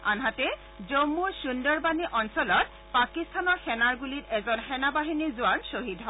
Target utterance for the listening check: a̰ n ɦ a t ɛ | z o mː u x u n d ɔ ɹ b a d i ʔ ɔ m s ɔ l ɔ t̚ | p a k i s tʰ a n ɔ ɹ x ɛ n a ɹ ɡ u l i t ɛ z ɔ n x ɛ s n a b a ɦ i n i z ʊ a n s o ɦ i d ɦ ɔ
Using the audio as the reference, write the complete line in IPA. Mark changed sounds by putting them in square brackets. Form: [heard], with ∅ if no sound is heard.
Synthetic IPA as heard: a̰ n ɦ a t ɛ | z o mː u [s] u n d ɔ ɹ b a [n] i ʔ ɔ [n] s ɔ l ɔ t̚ | p a k i s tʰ a n ɔ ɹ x ɛ n a ɹ ɡ u l i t ɛ z ɔ n x ɛ [∅] n a b a ɦ i n i z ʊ a n s o ɦ i d ɦ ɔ